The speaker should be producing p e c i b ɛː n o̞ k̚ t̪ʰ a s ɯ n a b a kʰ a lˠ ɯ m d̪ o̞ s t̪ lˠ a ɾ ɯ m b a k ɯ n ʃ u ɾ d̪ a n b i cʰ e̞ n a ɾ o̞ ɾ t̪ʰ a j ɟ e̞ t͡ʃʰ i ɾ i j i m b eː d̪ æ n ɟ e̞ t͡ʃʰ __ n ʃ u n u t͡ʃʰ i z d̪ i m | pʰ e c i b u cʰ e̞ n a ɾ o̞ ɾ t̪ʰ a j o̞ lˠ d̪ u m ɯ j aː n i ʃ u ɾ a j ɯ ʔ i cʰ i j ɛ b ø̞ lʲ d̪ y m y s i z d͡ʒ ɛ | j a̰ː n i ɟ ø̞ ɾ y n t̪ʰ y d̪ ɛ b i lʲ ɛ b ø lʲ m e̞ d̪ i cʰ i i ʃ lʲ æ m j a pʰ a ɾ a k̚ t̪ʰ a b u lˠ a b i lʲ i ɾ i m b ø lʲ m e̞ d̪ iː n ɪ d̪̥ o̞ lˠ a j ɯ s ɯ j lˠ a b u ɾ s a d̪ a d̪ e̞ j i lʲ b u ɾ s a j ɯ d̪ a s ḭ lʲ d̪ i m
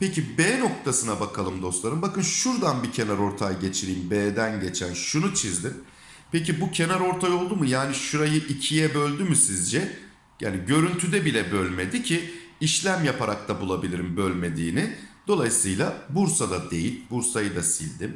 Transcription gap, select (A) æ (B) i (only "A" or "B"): A